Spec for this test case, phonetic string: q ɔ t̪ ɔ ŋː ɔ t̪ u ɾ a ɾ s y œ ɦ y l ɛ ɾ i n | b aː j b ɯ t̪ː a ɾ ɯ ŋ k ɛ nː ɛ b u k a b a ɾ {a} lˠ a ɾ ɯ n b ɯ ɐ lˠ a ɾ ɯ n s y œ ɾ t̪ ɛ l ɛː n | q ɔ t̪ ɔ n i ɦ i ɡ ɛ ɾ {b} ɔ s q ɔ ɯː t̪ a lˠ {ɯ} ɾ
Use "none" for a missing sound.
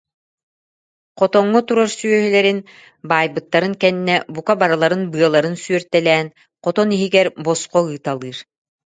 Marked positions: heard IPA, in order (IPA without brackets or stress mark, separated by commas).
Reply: a, b, ɯː